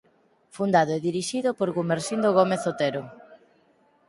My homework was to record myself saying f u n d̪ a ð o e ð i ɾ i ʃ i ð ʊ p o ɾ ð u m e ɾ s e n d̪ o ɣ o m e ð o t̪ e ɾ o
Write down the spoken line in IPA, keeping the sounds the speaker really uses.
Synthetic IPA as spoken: f u n d̪ a ð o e ð i ɾ i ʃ i ð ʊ p o ɾ ɣ u m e ɾ s i n d̪ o ɣ o m e θ o t̪ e ɾ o